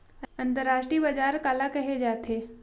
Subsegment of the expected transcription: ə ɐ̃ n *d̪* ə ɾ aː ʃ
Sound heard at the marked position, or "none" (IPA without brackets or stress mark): t̪